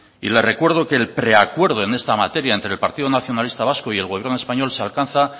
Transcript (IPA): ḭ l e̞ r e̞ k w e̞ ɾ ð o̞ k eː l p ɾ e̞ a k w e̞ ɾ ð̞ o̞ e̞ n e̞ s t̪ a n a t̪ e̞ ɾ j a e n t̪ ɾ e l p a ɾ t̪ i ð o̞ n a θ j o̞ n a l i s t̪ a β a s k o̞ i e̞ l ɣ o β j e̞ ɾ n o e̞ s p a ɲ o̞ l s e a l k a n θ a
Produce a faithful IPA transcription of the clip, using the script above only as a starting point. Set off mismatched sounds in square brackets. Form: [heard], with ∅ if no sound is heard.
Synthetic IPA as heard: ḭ l e̞ r e̞ k w e̞ ɾ ð o̞ k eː l p ɾ e̞ a k w e̞ ɾ ð̞ o̞ e̞ n e̞ s t̪ a [m] a t̪ e̞ ɾ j a e n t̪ ɾ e l p a ɾ t̪ i ð o̞ n a θ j o̞ n a l i s t̪ a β a s k o̞ i e̞ l ɣ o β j e̞ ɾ n o e̞ s p a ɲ o̞ l s e a l k a n θ a